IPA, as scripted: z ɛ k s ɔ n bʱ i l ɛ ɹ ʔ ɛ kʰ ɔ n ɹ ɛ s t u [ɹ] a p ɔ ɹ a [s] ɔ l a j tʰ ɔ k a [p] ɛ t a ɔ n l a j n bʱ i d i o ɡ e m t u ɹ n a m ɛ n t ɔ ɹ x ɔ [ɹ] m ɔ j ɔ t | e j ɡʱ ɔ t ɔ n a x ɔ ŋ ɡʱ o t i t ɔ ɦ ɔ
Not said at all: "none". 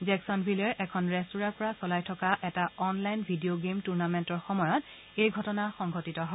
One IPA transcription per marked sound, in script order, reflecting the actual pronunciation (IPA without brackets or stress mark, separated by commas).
ɹ, s, ʔ, none